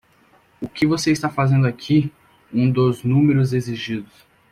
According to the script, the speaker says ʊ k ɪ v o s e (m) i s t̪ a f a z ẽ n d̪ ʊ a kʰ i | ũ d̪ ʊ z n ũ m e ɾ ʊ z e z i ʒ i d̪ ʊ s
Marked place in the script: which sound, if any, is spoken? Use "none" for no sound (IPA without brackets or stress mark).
none